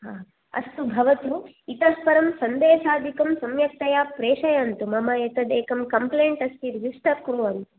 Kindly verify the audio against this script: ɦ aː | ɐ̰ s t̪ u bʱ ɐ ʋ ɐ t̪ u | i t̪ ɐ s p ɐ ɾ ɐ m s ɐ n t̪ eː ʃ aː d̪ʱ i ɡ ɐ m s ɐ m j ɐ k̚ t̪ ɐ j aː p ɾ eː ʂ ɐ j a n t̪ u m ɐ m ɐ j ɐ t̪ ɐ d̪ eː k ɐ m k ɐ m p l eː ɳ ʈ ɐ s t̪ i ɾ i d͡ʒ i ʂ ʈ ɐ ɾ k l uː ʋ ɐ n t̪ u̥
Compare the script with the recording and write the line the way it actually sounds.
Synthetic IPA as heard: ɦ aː | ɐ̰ s t̪ u bʱ ɐ ʋ ɐ t̪ u | i t̪ ɐ s p ɐ ɾ ɐ m s ɐ n d̪ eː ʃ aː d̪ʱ i k ɐ m s ɐ m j ɐ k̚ t̪ ɐ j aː p ɾ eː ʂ ɐ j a n t̪ u m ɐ m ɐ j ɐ t̪ ɐ d̪ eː k ɐ m k ɐ m p l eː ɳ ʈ ɐ s t̪ i ɾ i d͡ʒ i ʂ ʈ ɐ ɾ k ɾ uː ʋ ɐ n t̪ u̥